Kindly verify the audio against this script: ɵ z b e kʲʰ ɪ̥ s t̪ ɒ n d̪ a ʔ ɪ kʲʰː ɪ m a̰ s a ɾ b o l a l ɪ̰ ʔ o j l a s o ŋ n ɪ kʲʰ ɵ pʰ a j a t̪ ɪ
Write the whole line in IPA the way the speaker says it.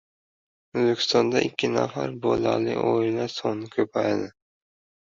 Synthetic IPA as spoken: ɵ z b e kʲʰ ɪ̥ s t̪ ɒ n d̪ a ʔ ɪ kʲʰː ɪ n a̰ f a ɾ b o l a l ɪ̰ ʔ o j l a s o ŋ n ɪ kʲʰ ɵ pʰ a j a d̪ ɪ